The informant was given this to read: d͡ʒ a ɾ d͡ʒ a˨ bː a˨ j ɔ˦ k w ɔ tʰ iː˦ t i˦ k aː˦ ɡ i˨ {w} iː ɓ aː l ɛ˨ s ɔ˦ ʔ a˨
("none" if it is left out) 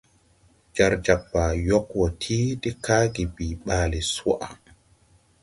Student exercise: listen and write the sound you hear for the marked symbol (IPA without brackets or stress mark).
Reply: b